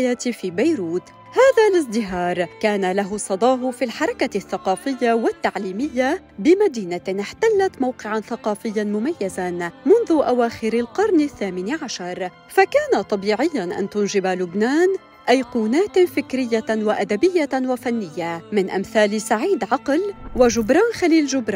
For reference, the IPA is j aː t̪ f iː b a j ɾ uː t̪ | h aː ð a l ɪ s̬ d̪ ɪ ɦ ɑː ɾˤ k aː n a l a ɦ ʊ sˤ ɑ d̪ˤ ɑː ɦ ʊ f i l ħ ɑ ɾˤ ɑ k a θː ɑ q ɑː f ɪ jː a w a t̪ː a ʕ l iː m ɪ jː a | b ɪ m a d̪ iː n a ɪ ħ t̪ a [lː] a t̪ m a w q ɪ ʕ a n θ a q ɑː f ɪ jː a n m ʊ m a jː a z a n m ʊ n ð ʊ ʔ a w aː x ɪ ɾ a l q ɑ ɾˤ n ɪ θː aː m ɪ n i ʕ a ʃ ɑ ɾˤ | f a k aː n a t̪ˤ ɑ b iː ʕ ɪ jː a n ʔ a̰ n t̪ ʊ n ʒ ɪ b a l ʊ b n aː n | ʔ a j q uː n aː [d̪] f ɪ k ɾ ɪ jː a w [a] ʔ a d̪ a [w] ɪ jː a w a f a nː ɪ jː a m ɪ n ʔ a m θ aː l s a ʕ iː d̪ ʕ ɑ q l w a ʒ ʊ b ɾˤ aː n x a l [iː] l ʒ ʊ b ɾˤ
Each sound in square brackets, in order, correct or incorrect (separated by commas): correct, incorrect, correct, incorrect, correct